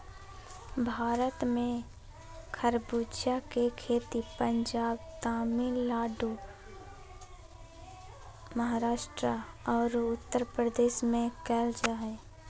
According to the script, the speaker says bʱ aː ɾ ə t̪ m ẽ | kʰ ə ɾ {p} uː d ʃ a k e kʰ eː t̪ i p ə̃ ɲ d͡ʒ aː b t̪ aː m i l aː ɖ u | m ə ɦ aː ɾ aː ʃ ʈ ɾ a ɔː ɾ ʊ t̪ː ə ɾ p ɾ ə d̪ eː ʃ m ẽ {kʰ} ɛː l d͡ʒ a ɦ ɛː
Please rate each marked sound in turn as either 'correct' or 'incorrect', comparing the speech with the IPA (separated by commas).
incorrect, incorrect